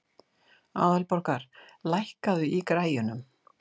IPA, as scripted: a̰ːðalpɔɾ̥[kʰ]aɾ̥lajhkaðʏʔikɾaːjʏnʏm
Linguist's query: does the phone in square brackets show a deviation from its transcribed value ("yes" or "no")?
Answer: yes